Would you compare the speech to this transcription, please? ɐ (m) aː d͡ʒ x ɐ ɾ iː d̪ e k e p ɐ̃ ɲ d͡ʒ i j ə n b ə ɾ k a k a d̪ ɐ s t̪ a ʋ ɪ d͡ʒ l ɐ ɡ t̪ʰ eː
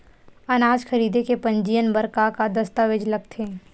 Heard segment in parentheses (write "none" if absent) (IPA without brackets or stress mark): n